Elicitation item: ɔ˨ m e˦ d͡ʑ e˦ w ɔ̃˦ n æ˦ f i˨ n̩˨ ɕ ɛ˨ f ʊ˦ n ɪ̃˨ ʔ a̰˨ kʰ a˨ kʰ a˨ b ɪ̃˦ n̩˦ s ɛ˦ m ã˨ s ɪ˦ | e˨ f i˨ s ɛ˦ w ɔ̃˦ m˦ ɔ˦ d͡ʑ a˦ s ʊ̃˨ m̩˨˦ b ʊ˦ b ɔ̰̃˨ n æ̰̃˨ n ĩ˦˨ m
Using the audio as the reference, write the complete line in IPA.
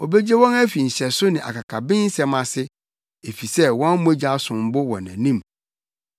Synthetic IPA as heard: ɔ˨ b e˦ d͡ʑ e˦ w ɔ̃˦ n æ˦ f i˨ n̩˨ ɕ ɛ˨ s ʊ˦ n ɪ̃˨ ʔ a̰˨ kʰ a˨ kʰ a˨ b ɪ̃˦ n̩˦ s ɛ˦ m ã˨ s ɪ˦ | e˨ f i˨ s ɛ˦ w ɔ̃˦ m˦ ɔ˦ d͡ʑ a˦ s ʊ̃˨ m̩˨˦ b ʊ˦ w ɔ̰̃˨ n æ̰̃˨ n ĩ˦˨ m